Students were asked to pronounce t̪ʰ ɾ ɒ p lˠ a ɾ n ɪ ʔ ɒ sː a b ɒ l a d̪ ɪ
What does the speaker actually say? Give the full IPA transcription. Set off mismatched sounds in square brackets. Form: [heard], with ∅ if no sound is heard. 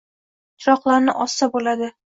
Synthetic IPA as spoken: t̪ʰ ɾ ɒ [q] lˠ a ɾ n ɪ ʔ ɒ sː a b [o] l a d̪ ɪ